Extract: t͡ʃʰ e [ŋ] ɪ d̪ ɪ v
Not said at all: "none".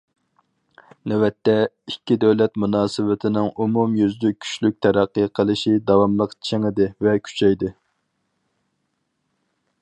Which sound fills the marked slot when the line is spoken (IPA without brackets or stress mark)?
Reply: ŋ